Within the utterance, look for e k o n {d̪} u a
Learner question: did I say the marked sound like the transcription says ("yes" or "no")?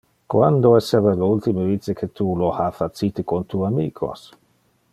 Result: no